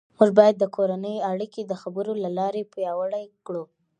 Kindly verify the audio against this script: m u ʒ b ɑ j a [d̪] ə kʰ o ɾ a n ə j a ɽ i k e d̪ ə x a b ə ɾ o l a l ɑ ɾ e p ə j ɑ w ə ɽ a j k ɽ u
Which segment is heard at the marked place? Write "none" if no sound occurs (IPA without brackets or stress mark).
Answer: d̪ː